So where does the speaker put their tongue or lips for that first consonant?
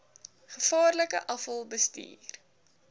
uvula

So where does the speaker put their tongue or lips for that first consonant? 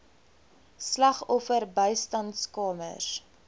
tongue tip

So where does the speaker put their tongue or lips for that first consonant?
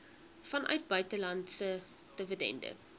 lips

